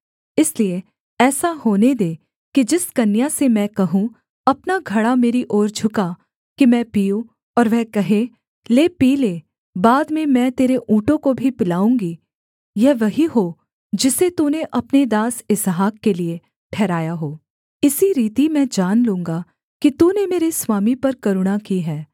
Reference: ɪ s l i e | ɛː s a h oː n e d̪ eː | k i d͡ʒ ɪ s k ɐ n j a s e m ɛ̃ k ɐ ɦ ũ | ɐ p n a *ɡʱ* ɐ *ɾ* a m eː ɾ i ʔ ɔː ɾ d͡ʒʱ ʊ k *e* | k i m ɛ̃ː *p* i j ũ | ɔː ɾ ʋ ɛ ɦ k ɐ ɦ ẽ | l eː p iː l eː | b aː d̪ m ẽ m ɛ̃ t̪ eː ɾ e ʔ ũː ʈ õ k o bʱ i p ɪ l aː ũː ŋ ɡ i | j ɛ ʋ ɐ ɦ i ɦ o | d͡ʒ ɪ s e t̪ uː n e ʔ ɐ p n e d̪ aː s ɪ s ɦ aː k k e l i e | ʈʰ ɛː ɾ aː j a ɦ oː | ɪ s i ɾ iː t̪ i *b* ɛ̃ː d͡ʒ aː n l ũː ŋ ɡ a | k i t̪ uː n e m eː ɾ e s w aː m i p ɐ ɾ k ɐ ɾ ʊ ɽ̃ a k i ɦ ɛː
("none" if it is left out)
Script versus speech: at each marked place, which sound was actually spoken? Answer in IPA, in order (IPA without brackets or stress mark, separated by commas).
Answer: ɡʱ, ɽ, a, p, m